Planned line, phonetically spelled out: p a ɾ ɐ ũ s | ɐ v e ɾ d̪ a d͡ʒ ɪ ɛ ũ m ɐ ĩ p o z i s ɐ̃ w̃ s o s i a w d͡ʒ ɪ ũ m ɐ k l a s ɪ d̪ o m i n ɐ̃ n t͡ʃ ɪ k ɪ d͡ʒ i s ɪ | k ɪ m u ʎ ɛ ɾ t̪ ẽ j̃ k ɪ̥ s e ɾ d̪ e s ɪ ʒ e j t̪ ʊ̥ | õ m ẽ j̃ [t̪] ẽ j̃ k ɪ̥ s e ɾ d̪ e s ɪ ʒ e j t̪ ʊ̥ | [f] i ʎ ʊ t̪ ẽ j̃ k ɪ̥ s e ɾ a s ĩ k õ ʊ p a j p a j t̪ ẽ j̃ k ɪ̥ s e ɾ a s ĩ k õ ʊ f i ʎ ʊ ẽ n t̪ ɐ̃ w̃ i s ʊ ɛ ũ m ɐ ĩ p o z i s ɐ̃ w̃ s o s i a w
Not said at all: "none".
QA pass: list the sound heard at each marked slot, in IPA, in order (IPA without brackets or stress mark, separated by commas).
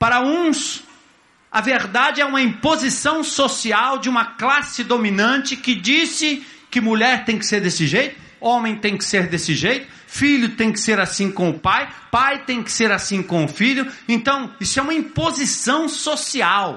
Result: t̪, f